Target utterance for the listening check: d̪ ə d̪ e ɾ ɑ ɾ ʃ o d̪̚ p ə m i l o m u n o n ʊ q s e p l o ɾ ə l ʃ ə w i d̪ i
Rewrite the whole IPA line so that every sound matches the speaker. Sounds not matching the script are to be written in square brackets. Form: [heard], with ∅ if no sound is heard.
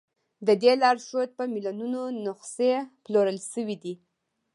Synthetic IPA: d̪ ə d̪ e [l] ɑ ɾ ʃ o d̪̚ p ə m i l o [n] u n o n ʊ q s e p l o ɾ ə l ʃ ə w i d̪ i